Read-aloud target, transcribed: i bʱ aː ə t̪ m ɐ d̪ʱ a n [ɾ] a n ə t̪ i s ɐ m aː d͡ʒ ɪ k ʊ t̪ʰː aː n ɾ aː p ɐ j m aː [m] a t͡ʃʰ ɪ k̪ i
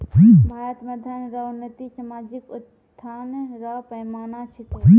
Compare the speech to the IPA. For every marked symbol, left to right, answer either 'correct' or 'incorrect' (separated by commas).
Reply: correct, incorrect